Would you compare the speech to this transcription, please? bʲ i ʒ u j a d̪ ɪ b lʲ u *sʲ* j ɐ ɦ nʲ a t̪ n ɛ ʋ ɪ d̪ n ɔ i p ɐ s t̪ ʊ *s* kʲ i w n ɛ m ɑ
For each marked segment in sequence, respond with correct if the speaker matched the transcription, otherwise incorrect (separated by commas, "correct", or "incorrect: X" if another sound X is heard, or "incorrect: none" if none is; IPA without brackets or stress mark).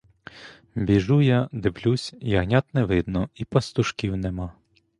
correct, incorrect: ʃ